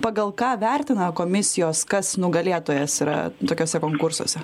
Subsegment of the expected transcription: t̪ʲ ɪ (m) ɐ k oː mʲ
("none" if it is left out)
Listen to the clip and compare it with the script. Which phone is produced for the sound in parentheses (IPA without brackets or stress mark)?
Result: n